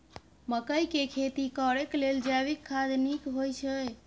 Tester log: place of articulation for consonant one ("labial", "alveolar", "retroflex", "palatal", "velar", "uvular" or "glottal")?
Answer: labial